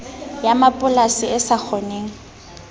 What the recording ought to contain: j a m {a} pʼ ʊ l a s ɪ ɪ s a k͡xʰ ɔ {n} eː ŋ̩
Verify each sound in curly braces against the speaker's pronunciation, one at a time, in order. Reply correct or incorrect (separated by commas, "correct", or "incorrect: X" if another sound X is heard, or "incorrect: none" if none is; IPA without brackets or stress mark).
correct, correct